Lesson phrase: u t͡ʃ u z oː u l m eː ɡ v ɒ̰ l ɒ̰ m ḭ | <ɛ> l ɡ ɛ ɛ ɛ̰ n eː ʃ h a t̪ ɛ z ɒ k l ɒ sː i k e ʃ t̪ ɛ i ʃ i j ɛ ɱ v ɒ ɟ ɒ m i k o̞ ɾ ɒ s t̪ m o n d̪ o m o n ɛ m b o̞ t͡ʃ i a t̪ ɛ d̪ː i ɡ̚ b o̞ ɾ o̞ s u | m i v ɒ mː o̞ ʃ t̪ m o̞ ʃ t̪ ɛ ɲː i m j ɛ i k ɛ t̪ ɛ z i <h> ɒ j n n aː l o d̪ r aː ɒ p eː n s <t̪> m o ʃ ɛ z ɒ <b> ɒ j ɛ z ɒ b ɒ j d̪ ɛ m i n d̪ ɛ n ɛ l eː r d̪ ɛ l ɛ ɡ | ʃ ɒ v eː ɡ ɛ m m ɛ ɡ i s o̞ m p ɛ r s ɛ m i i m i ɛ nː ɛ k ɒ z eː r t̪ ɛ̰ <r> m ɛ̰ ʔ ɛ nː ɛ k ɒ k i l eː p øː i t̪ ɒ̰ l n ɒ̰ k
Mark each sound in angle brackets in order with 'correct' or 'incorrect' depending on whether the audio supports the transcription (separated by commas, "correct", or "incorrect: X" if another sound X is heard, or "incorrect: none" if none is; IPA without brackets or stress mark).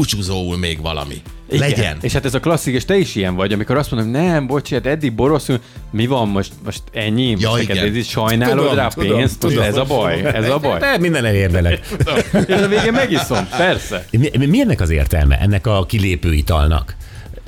incorrect: i, incorrect: ʃ, correct, correct, incorrect: l